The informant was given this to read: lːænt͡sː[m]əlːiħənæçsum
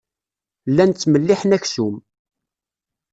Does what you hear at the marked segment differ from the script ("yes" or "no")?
no